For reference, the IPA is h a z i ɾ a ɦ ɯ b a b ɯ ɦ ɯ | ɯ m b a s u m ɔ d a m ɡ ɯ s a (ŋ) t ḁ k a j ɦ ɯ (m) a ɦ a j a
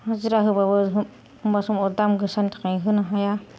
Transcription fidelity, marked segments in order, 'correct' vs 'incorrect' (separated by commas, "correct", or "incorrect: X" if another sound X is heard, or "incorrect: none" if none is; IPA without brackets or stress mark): incorrect: n, incorrect: n